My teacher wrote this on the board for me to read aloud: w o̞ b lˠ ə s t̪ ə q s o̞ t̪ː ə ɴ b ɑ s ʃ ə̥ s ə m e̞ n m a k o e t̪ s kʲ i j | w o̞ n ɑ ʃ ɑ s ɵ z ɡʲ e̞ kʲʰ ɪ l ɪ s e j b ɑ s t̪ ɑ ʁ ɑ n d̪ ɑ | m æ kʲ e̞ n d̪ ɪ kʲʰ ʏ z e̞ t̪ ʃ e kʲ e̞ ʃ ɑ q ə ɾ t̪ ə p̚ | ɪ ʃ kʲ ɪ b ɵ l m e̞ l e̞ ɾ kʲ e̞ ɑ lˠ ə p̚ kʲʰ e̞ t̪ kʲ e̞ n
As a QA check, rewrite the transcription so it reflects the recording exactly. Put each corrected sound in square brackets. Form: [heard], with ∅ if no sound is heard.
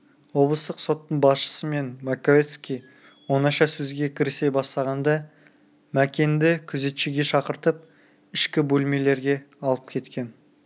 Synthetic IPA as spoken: w o̞ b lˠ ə s t̪ ə q s o̞ t̪ː ə ɴ b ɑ s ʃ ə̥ s ə m e̞ n m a k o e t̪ s kʲ i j | w o̞ n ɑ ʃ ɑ s ɵ z ɡʲ e̞ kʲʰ ɪ [ɾ] ɪ s e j b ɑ s t̪ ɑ ʁ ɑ n d̪ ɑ | m æ kʲ e̞ n d̪ ɪ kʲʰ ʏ z e̞ t̪ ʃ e [ɡʲ] e̞ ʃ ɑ q ə ɾ t̪ ə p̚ | ɪ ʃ kʲ ɪ b ɵ l m e̞ l e̞ ɾ [ɡʲ] e̞ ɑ lˠ ə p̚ kʲʰ e̞ t̪ kʲ e̞ n